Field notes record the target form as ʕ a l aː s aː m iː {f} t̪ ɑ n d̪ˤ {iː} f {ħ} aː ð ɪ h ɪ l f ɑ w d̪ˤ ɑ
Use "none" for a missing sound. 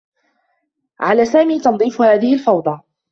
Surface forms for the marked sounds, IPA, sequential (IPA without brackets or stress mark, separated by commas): none, iː, h